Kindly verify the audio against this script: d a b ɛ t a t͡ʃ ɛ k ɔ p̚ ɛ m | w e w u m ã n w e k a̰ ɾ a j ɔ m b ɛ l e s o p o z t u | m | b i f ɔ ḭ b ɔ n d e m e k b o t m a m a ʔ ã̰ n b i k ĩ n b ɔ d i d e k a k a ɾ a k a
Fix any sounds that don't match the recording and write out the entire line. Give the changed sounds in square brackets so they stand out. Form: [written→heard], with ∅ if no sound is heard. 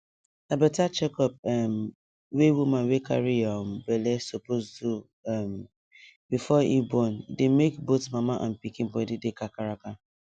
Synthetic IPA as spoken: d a b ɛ t a t͡ʃ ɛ k ɔ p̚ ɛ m | w e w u m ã n w e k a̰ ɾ [a→i] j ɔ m b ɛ l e s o p o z t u | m | b i f ɔ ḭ b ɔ n d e m e k b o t m a m a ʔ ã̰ n [b→p] i k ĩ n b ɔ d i d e k a k a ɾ a k a